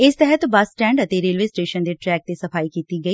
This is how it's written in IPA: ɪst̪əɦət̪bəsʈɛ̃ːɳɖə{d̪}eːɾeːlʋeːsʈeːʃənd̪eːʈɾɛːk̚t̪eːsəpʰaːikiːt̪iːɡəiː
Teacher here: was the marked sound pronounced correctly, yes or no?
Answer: no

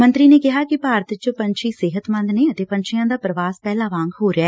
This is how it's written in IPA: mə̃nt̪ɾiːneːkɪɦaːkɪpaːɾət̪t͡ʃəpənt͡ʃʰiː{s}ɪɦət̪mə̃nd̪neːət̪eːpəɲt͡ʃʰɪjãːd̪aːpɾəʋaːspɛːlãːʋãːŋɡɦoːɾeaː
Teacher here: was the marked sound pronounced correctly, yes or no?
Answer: yes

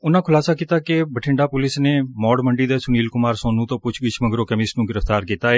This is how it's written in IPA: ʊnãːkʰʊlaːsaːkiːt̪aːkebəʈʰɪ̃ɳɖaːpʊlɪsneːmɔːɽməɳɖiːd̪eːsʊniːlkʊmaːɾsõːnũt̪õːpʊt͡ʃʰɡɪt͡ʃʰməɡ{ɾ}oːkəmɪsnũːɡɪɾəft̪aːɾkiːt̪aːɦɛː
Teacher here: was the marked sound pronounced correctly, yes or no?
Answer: yes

